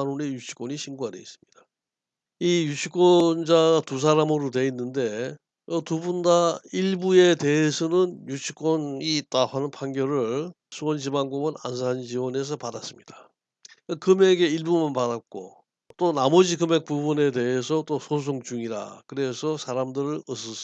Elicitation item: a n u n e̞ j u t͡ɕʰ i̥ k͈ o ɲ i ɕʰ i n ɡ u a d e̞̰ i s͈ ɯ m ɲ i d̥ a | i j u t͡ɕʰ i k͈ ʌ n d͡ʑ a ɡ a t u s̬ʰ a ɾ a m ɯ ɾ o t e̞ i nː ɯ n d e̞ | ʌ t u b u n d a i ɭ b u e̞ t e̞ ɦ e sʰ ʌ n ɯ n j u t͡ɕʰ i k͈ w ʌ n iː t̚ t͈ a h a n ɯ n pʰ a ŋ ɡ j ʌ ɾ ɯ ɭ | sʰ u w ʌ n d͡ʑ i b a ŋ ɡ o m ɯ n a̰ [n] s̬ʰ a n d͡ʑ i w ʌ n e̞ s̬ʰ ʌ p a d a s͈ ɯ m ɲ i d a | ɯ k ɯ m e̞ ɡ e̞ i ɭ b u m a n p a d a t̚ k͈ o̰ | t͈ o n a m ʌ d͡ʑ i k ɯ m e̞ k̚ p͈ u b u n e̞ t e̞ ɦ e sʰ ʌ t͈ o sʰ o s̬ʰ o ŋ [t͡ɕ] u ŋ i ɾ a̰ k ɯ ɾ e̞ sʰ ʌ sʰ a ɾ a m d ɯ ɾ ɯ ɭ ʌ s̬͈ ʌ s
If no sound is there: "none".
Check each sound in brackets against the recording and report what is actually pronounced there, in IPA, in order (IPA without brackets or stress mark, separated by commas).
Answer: n, t͡ɕ